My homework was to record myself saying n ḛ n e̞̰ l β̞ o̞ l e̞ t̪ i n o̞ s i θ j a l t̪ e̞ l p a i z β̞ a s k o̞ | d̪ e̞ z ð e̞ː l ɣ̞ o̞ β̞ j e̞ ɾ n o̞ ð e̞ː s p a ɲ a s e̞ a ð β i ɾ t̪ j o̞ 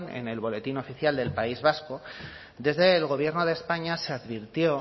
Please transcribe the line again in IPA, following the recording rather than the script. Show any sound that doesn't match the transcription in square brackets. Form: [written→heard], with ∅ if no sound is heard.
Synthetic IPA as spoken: n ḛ n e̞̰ l β̞ o̞ l e̞ t̪ i n o̞ [s→f] i θ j a l [t̪→d̪] e̞ l p a i z β̞ a s k o̞ | d̪ e̞ z ð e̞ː l ɣ̞ o̞ β̞ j e̞ ɾ n o̞ ð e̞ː s p a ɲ a s e̞ a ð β i ɾ t̪ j o̞